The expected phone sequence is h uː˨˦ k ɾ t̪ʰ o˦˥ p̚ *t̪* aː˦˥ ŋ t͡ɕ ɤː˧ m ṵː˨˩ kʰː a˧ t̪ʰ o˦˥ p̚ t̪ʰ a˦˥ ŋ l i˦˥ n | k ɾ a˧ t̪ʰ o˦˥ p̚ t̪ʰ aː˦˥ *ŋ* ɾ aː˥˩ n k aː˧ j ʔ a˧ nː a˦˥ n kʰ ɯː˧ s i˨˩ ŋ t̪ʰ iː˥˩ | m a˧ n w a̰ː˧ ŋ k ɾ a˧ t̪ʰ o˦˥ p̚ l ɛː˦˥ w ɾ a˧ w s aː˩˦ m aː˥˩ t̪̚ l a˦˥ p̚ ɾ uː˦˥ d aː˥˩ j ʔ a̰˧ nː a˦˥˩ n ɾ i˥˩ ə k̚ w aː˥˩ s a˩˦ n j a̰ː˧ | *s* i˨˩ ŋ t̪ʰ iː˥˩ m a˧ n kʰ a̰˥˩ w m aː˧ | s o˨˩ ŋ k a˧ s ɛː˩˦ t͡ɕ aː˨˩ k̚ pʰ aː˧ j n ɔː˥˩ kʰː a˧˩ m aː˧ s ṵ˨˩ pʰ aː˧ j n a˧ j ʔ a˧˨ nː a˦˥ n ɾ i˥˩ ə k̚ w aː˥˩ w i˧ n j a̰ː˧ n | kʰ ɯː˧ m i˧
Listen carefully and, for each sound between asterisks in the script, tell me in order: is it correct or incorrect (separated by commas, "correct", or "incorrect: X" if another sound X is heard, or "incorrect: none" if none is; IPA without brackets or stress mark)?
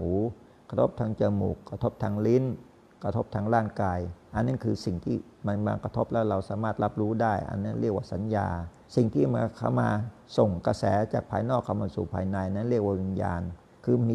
incorrect: t̪ʰ, correct, correct